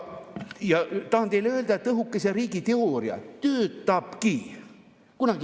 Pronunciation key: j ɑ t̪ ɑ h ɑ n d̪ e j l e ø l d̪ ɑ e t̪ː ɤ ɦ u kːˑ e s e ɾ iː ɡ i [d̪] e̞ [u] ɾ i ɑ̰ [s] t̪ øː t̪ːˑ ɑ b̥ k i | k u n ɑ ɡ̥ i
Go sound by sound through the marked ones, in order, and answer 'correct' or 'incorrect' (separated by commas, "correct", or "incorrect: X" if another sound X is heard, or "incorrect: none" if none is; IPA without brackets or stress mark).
incorrect: t̪, incorrect: o, incorrect: none